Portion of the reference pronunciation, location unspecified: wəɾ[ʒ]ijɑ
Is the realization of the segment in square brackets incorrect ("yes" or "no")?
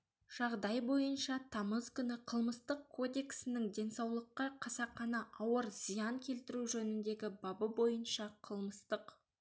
yes